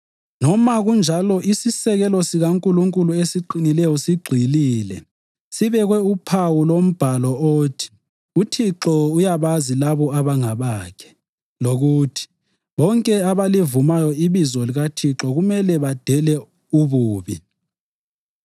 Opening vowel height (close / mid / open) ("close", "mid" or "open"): mid